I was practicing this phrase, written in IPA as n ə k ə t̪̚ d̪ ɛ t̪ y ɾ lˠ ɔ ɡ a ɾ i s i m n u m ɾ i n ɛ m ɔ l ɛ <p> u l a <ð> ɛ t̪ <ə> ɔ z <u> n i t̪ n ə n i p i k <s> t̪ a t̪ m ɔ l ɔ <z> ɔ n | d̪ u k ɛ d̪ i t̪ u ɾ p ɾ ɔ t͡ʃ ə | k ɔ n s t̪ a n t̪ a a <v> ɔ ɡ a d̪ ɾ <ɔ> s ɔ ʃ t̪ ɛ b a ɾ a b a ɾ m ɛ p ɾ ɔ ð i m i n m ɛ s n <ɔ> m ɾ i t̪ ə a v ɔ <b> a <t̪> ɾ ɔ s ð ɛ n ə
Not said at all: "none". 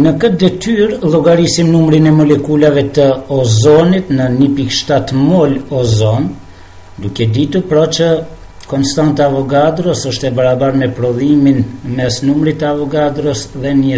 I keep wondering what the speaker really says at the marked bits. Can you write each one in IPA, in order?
k, v, ə, ɔ, ʃ, z, v, ɔ, u, ɡ, d̪

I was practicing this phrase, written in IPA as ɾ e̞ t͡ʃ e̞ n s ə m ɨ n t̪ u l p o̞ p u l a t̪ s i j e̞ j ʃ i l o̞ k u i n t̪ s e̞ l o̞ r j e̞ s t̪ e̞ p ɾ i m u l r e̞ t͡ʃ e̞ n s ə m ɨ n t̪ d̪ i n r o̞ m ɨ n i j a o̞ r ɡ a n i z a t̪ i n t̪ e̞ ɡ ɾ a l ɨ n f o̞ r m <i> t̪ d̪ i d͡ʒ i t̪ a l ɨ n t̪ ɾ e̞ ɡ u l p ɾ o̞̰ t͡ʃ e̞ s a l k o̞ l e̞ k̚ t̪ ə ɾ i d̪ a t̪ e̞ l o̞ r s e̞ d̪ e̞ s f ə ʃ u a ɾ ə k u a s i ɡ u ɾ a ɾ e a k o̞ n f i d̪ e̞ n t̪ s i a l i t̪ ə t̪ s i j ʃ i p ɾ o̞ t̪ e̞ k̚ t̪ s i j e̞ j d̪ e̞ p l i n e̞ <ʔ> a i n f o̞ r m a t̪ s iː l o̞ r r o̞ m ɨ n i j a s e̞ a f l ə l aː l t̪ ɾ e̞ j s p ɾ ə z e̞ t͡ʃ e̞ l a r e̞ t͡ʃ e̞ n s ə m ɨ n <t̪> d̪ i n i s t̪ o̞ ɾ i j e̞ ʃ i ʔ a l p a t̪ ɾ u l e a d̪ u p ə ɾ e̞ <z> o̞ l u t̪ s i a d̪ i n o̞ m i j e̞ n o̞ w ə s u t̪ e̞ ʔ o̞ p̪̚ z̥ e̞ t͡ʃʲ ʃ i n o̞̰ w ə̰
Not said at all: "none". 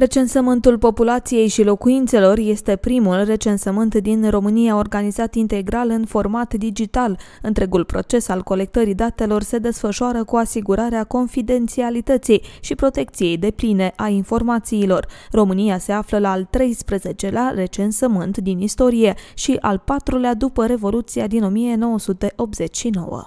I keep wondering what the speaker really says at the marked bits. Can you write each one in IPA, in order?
a, ʔ, t̪, v

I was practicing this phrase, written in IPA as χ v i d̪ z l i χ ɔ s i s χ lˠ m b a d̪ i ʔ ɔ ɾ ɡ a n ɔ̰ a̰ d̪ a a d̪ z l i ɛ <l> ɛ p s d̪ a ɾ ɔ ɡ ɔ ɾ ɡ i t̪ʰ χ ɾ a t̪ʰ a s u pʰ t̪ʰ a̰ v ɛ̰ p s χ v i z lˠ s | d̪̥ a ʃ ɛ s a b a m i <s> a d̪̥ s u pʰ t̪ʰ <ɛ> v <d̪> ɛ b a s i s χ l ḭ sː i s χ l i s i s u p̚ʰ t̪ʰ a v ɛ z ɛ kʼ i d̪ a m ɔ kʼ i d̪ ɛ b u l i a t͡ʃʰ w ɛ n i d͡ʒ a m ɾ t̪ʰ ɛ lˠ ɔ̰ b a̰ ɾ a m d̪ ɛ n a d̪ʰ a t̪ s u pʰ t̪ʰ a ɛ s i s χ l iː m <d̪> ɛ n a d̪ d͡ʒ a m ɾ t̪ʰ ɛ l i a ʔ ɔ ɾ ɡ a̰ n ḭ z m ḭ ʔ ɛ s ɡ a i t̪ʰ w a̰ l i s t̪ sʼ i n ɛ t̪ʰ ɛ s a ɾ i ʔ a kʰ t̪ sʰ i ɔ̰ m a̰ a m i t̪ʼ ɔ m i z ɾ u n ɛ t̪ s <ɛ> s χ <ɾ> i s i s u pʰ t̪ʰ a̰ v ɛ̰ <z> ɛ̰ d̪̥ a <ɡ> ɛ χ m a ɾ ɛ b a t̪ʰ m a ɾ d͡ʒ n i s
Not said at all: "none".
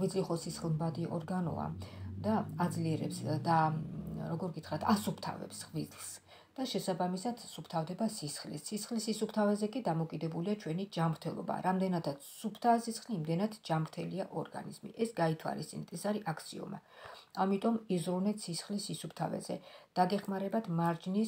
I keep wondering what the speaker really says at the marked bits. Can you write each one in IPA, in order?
ɾ, s, a, d̪, d̪, i, l, z, ɡ

